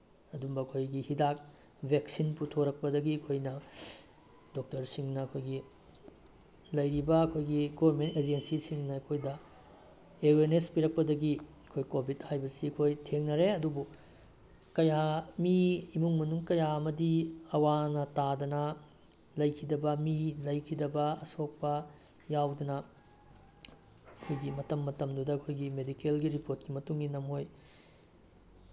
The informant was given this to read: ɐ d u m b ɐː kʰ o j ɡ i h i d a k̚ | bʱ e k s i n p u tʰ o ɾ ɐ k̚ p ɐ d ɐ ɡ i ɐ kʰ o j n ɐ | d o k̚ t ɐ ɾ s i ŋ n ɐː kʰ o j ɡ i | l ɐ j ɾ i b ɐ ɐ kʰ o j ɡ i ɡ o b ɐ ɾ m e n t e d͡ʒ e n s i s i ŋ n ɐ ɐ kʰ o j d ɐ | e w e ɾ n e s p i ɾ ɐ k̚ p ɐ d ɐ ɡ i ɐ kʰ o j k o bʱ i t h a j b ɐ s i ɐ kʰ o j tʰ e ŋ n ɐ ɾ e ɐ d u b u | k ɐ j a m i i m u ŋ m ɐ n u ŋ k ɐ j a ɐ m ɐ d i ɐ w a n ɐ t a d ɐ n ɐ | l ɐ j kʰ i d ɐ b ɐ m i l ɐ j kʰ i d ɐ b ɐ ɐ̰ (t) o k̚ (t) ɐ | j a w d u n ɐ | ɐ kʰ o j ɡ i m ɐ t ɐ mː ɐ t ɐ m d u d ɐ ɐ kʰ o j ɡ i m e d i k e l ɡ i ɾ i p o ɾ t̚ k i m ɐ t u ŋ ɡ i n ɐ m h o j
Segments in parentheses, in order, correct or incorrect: incorrect, incorrect

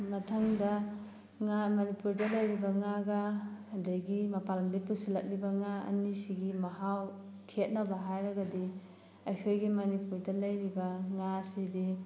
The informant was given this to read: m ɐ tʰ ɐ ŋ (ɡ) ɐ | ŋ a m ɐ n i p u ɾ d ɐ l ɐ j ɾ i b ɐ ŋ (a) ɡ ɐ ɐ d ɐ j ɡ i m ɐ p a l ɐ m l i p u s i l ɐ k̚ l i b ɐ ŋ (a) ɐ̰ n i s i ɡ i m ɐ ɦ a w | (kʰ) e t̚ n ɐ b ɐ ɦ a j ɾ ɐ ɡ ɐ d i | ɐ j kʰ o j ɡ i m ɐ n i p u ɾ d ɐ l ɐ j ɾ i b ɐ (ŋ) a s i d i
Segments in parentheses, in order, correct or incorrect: incorrect, correct, correct, correct, correct

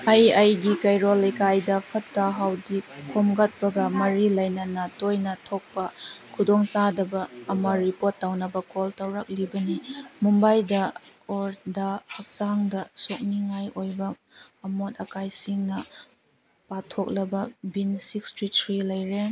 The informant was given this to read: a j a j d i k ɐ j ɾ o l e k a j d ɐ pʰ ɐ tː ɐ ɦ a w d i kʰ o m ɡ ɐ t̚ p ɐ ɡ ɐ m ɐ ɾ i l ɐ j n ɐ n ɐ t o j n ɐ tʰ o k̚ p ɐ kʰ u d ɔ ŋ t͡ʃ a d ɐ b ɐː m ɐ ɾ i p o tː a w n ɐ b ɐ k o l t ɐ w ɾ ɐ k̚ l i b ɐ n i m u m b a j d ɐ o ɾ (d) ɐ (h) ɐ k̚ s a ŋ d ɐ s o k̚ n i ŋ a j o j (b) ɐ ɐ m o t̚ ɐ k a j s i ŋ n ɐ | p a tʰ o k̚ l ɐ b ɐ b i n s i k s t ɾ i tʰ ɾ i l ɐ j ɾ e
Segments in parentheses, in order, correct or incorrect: correct, correct, correct

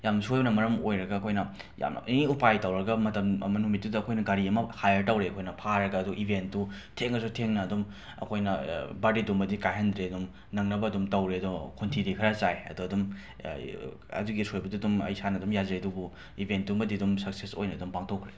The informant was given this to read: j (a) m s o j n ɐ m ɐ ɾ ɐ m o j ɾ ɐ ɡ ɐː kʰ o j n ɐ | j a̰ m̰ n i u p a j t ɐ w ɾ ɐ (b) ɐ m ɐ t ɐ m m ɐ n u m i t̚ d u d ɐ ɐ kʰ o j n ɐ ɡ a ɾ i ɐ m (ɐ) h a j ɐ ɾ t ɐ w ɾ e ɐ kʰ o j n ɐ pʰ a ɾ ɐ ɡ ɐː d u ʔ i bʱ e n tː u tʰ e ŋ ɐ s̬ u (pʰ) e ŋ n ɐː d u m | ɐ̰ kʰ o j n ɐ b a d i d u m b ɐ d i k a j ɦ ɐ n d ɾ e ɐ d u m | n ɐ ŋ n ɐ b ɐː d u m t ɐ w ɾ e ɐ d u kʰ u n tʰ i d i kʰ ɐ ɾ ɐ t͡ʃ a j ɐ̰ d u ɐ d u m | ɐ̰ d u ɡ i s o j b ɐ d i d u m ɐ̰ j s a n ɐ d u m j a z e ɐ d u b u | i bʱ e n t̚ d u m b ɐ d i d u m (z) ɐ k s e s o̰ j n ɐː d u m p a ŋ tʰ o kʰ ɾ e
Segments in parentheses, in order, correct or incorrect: correct, incorrect, correct, incorrect, incorrect

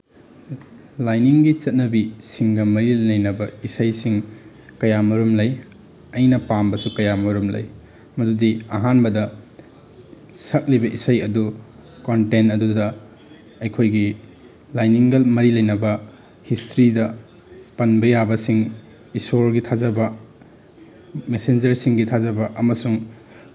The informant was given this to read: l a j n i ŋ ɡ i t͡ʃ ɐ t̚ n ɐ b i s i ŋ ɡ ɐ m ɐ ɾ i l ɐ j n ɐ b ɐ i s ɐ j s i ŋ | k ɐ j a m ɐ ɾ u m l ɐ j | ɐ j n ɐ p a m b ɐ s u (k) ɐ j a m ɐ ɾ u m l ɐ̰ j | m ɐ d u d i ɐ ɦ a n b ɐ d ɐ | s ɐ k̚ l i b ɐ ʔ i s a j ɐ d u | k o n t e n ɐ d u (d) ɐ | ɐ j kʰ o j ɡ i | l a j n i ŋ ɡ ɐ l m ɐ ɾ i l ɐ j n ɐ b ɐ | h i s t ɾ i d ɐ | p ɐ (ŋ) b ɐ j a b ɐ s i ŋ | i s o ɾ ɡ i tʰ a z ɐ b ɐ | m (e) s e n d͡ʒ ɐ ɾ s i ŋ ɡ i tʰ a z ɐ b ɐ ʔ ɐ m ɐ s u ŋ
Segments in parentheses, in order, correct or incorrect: correct, correct, incorrect, correct

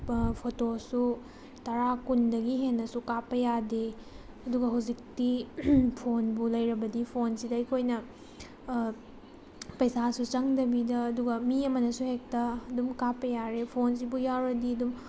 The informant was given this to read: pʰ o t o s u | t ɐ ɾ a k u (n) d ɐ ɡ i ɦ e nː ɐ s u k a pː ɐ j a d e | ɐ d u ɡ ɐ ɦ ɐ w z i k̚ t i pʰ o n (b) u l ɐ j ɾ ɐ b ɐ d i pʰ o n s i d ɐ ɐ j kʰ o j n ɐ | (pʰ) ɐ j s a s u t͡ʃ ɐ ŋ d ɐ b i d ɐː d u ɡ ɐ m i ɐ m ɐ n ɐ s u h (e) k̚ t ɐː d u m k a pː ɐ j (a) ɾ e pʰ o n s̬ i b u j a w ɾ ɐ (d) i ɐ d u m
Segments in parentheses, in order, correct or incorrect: correct, correct, incorrect, correct, correct, correct

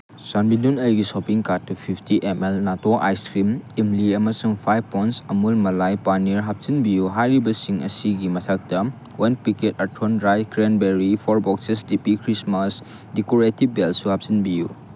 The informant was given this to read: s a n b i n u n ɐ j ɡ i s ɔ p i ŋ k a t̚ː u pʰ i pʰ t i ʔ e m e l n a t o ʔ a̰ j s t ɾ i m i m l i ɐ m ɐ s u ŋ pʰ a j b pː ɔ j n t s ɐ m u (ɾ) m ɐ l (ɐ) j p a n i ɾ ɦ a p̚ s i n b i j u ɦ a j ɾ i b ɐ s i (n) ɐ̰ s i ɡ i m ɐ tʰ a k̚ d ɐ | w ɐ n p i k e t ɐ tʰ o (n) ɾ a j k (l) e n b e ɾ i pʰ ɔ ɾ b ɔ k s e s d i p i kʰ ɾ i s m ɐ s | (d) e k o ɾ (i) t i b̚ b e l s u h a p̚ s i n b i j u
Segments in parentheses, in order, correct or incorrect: incorrect, incorrect, incorrect, correct, incorrect, correct, incorrect

